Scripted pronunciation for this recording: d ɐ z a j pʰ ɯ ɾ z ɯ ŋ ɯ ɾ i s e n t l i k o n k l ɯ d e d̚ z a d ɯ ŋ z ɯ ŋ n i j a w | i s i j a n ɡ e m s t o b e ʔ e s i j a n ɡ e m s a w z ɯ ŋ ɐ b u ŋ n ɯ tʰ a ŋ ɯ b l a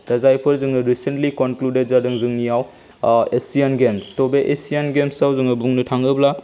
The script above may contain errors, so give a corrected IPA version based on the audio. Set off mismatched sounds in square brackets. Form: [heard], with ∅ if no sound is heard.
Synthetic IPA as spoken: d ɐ z a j pʰ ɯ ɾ z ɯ ŋ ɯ ɾ i s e n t l i k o n k l [u] d e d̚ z a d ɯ ŋ z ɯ ŋ n i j a w | [e] s i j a n ɡ e m s t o b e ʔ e s i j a n ɡ e m s a w z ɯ ŋ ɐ b u ŋ n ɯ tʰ a ŋ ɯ b l a